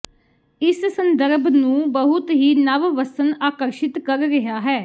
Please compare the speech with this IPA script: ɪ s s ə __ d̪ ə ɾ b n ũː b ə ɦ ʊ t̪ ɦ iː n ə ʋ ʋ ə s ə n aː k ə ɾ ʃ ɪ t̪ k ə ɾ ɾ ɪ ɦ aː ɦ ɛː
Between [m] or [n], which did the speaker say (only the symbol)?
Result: n